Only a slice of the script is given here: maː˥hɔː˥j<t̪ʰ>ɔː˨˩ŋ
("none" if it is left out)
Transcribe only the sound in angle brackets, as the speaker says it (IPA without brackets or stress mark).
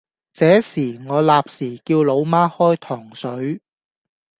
t̪ʰ